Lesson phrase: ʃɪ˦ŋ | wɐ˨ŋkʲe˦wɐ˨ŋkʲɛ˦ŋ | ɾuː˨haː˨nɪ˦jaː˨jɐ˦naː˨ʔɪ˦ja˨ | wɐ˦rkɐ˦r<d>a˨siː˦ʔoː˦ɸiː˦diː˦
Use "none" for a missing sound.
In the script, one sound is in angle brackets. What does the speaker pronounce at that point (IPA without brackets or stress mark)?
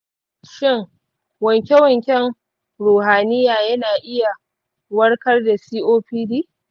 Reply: d